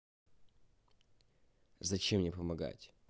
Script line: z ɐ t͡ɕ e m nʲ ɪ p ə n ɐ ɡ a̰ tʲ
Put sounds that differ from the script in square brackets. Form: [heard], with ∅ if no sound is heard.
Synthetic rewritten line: z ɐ t͡ɕ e m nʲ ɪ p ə [m] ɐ ɡ a̰ tʲ